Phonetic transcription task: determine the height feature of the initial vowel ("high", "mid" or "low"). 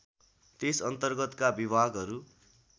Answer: mid